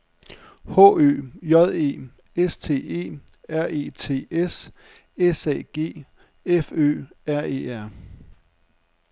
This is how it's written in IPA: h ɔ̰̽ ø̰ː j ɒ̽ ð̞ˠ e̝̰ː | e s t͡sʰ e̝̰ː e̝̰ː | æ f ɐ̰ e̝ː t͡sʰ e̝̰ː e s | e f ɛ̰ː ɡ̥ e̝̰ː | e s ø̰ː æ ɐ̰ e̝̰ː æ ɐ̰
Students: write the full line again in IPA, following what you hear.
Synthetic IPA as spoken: h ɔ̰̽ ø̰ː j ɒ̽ ð̞ˠ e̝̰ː | e s t͡sʰ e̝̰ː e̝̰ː | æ ɐ̰ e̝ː t͡sʰ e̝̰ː e s | e s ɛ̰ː ɡ̥ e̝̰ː | e f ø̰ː æ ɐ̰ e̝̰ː æ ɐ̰